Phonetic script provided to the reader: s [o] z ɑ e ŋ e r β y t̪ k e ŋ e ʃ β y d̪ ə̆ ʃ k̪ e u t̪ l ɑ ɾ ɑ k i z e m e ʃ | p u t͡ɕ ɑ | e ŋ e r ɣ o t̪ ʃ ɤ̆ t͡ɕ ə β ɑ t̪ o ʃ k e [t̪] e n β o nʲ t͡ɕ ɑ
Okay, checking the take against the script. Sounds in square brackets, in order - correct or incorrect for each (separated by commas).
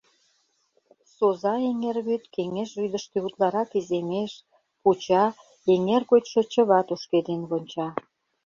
correct, incorrect